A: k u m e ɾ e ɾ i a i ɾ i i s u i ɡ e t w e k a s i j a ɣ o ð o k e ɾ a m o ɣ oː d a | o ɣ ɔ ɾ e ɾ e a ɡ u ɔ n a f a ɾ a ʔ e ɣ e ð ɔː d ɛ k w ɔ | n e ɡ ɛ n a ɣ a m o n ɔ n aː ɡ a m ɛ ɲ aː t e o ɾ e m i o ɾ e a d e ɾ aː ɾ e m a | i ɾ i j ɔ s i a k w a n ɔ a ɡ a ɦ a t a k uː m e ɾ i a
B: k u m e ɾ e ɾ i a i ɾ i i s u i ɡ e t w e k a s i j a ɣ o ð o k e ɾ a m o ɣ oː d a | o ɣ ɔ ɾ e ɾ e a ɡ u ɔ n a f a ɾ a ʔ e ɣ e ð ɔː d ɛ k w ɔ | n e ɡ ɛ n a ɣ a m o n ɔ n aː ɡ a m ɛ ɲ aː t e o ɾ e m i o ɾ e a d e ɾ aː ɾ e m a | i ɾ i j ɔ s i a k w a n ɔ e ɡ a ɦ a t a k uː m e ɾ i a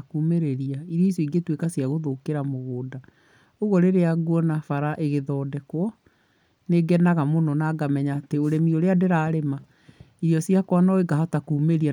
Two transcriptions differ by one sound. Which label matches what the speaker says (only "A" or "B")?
B